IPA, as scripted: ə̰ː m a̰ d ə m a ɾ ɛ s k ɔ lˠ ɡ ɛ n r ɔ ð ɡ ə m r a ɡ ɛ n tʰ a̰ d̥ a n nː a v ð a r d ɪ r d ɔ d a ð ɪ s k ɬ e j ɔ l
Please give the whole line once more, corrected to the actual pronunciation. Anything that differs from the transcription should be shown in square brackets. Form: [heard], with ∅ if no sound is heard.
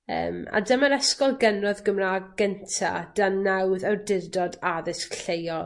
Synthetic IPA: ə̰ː m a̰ d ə m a ɾ ɛ s k ɔ lˠ ɡ ɛ n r ɔ ð ɡ ə m r a ɡ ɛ n tʰ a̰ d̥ a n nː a [w] ð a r d ɪ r d ɔ d a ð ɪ s k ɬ e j ɔ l